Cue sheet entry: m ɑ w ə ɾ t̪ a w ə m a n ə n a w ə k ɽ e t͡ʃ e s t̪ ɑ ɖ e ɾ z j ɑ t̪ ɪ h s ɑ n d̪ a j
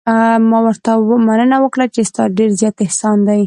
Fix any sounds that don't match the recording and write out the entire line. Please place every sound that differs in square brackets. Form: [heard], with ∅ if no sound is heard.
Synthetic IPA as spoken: m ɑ w ə ɾ t̪ a w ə m a n ə n a w ə k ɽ [a] t͡ʃ e s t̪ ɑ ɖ e ɾ z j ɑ t̪ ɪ h s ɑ n d̪ a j